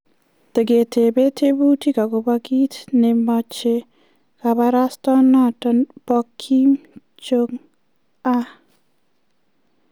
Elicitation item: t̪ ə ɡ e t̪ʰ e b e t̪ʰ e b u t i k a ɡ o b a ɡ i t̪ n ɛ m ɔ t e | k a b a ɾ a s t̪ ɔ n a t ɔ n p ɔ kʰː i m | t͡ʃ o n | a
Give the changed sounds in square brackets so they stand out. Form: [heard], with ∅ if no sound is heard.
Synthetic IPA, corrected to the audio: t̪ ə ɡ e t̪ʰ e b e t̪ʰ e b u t i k a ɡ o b a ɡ i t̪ n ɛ m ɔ [t͡ʃ] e | k a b a ɾ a s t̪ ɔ n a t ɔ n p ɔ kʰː i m | t͡ʃ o [ŋ] | a